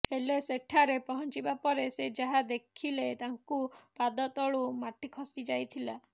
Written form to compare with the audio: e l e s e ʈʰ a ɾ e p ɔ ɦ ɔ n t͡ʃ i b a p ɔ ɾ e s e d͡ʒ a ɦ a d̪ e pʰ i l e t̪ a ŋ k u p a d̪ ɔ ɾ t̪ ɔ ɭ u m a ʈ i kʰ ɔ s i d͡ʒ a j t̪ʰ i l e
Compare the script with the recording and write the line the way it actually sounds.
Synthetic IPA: e l e s e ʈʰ a ɾ e p ɔ ɦ ɔ n t͡ʃ i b a p ɔ ɾ e s e d͡ʒ a ɦ a d̪ e kʰ i l e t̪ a ŋ k u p a d̪ ɔ t̪ ɔ ɭ u m a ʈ i kʰ ɔ s i d͡ʒ a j t̪ʰ i l a